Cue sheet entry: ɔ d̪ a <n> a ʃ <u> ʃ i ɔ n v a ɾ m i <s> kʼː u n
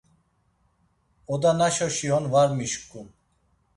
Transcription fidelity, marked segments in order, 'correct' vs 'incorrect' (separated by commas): correct, incorrect, incorrect